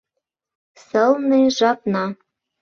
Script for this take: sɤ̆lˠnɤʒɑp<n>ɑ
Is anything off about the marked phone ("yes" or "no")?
no